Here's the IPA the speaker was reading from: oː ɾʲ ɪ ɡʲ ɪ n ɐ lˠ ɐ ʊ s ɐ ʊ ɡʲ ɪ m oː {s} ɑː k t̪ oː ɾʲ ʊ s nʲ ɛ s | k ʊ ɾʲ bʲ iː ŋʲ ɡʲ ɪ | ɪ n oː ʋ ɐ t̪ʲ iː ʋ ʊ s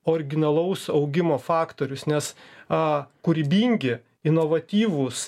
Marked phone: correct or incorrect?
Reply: incorrect